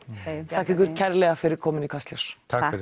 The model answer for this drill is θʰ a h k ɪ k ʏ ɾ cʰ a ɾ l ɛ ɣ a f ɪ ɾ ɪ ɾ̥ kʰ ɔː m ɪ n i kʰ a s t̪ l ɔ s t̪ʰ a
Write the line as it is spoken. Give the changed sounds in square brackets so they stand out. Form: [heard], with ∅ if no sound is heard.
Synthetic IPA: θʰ a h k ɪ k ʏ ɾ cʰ [ɛ] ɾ l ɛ ɣ a f ɪ ɾ ɪ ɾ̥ kʰ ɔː m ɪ n i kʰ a s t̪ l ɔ s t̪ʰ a

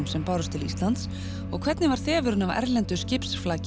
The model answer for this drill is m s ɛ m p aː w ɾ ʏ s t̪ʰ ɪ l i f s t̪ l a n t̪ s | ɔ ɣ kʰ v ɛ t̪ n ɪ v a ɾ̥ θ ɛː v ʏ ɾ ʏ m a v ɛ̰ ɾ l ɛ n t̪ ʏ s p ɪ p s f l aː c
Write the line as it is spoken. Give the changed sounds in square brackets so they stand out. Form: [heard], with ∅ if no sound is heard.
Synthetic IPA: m s ɛ m p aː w ɾ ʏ s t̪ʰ ɪ l i [∅] s t̪ l a n t̪ s | ɔ ɣ kʰ v ɛ t̪ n ɪ v a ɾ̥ θ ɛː v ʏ ɾ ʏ [n] a v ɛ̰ ɾ l ɛ n t̪ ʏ s [c] ɪ p s f l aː c

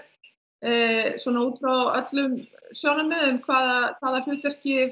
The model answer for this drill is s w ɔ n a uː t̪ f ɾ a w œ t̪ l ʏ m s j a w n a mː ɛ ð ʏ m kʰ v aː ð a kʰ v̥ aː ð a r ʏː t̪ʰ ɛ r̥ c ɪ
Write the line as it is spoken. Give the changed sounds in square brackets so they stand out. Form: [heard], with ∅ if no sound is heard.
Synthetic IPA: s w ɔ n a uː t̪ f ɾ a w œ t̪ l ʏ m s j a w n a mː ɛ ð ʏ m kʰ v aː ð a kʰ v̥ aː ð a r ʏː [t̪] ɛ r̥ c ɪ

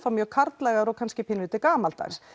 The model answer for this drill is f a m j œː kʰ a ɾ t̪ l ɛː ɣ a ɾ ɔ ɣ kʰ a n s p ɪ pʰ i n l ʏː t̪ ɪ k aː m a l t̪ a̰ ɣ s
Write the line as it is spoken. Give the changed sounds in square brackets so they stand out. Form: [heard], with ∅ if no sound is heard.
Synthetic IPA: f a m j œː kʰ a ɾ t̪ l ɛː ɣ a ɾ ɔ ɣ kʰ a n s [c] ɪ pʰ [ɪ] n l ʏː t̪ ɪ k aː m a l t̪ a̰ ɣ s

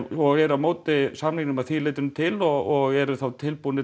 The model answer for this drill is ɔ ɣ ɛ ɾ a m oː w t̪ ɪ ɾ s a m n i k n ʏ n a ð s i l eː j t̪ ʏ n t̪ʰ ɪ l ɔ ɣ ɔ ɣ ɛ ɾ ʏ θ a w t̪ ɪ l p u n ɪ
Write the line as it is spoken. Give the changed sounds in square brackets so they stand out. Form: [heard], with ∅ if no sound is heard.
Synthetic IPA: ɔ ɣ ɛ ɾ a m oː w t̪ ɪ [∅] s a m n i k n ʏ [m] a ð [θ] i l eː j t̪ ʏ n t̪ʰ ɪ l ɔ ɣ ɔ ɣ ɛ ɾ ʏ θ a w [t̪ʰ] ɪ l p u n ɪ

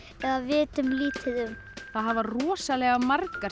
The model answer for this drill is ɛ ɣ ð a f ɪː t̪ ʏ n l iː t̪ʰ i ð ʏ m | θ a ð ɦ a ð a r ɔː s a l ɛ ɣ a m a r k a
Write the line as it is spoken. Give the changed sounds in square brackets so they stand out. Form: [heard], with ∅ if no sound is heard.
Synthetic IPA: ɛ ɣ ð a [v] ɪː t̪ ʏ [m] l iː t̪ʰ [ɪ] ð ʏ m | θ a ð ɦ a [v] a r ɔː s a l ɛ ɣ a m a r k a

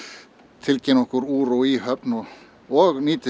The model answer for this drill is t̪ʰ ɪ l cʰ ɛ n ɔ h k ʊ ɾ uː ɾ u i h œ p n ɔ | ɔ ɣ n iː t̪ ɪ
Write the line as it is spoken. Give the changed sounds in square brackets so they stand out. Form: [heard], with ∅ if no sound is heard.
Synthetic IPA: t̪ʰ ɪ l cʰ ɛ n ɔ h k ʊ ɾ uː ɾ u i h œ p n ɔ | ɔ ɣ n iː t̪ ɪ

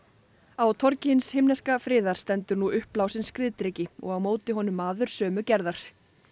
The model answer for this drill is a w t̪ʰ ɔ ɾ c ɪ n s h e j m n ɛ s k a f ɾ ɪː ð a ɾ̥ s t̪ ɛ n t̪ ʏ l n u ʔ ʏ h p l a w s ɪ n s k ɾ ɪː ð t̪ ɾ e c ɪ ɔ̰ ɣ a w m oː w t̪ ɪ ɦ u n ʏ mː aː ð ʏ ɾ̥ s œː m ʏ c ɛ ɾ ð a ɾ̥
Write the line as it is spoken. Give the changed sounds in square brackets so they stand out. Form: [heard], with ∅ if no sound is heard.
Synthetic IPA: a w t̪ʰ ɔ ɾ c ɪ n s h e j m n ɛ s k a f ɾ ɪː ð a ɾ̥ s t̪ ɛ n t̪ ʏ [ɾ] n u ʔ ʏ h p l a w s ɪ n s k ɾ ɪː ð t̪ ɾ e c ɪ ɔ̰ ɣ a w m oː w t̪ ɪ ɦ [ɔ] n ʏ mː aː ð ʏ ɾ̥ s œː m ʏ c ɛ ɾ ð a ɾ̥

